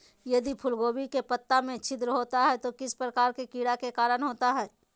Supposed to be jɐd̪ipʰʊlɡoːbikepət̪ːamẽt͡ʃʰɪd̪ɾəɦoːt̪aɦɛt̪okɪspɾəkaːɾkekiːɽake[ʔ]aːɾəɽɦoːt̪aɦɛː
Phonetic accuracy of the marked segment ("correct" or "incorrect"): incorrect